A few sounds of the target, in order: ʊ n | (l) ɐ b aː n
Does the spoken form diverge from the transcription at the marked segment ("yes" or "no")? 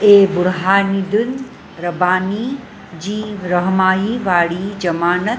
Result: yes